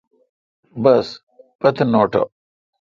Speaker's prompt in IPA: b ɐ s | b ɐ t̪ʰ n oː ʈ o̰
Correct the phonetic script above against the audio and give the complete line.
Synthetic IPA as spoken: b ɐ s | p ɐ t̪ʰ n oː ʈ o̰